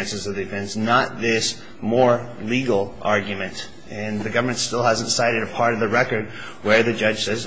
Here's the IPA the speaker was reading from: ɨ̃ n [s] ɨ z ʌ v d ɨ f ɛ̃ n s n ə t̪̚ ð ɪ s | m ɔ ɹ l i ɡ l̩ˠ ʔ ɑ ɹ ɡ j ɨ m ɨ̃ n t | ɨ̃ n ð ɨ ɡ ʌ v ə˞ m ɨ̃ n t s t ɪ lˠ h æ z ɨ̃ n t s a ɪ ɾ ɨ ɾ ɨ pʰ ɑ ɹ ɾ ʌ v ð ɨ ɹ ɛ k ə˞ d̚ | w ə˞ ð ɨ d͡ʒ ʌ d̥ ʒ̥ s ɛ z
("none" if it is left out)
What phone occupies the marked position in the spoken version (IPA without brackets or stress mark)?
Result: s